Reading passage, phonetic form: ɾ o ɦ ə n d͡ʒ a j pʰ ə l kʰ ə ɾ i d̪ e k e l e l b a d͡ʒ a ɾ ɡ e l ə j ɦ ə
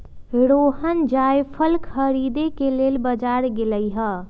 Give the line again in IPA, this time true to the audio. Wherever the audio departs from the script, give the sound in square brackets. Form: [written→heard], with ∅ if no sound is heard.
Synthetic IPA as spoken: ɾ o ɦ ə n d͡ʒ a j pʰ ə l kʰ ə ɾ i d̪ e k e l e l b [a→ə] d͡ʒ a ɾ ɡ e l ə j ɦ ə